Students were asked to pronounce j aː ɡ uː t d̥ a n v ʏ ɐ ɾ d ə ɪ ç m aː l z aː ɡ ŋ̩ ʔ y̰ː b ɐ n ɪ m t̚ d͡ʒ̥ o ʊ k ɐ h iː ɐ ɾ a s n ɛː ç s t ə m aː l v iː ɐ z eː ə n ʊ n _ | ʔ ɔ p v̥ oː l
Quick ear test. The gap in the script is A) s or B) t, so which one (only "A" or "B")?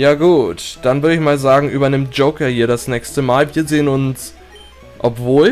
A